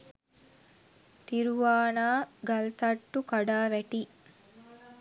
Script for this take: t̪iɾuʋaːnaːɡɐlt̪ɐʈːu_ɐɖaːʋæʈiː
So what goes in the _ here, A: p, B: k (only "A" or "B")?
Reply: B